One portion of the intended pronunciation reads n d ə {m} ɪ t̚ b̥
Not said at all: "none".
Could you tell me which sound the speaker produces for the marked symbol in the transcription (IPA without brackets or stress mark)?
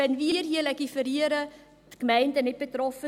n